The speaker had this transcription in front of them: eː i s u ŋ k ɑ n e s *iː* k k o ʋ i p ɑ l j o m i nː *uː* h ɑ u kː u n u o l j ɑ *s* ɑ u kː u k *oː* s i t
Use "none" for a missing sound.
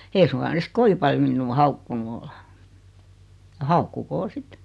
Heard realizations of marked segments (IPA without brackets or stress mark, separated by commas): i, uː, h, oː